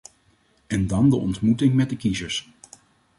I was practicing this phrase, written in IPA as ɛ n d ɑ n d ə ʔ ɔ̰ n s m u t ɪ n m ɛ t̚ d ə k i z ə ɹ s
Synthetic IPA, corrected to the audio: ɛ n d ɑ n d ə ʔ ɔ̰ n t m u t ɪ ŋ m ɛ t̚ d ə k i z ə ɹ s